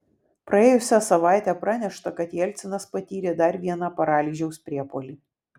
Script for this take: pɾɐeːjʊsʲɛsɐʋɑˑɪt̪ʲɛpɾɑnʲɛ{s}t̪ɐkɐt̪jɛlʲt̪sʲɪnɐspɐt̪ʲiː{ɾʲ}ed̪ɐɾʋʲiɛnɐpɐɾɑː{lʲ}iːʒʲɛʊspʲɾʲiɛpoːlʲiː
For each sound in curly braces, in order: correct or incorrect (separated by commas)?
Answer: incorrect, correct, correct